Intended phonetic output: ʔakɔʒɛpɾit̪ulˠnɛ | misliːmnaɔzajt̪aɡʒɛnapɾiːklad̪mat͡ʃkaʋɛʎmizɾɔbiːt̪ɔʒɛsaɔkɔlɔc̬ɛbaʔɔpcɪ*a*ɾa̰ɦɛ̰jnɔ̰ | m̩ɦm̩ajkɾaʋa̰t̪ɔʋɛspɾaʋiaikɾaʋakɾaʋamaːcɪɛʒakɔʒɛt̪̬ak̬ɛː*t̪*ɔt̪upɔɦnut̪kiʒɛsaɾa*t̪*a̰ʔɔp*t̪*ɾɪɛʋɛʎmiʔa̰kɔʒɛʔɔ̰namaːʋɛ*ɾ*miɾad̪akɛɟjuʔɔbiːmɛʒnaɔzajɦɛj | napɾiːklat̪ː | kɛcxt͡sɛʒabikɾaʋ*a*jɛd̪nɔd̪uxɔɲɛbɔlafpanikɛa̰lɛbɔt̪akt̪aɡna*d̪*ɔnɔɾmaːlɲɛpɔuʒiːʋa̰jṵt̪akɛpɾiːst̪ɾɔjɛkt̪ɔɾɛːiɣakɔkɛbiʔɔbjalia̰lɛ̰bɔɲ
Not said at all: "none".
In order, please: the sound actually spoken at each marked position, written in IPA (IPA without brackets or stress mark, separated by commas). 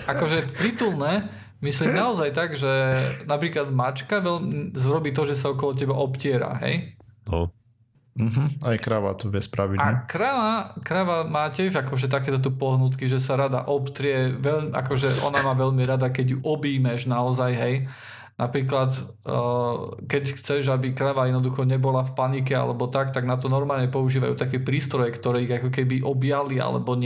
ɛ, t̪, d̪, t̪, ʎ, a, t̪